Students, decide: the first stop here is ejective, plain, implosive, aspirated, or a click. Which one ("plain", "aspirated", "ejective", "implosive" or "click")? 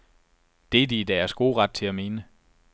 plain